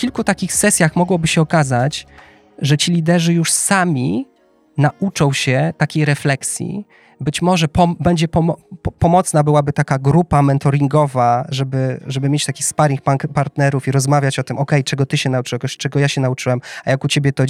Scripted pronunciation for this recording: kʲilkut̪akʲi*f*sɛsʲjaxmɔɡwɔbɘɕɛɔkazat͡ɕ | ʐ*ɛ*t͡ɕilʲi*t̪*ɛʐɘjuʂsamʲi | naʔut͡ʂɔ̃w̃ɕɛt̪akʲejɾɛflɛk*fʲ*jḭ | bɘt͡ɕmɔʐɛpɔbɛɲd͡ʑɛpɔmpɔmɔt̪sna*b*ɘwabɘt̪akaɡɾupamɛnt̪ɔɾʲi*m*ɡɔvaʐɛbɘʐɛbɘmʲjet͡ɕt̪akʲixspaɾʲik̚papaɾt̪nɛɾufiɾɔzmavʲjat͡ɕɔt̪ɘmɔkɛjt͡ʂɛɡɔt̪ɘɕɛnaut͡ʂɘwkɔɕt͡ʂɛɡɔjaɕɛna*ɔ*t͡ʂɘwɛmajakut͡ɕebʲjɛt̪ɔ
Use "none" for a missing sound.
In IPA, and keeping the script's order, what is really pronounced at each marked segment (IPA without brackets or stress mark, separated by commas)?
x, ɛ, d̪, sʲ, b, ŋ, u